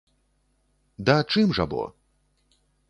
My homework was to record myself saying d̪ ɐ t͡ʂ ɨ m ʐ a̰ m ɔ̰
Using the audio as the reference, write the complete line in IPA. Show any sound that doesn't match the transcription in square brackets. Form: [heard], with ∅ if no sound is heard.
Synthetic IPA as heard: d̪ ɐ t͡ʂ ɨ m ʐ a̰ [b] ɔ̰